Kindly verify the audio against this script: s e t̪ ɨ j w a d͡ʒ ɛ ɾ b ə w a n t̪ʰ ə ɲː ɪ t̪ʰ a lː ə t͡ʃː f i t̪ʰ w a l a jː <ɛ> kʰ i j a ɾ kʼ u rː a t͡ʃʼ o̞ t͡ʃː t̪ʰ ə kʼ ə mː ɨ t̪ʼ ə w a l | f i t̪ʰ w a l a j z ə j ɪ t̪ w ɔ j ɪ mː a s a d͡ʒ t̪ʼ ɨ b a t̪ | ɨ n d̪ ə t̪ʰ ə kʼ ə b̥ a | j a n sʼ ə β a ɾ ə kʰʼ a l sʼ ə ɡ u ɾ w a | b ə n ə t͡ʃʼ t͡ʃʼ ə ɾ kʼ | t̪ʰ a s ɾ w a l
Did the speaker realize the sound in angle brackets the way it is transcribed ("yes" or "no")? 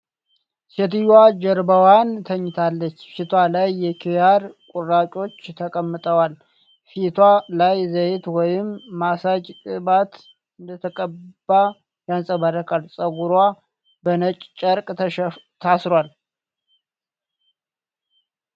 yes